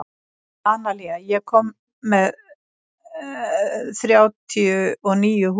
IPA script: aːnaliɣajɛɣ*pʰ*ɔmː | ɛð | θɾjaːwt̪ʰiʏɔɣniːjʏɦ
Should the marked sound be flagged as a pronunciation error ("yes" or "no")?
yes